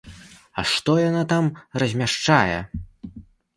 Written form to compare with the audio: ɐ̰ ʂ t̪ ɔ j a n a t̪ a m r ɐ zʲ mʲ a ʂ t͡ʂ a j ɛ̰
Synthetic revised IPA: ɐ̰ ʂ t̪ ɔ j a n a t̪ a m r ɐ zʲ mʲ a ʂ t͡ʂ a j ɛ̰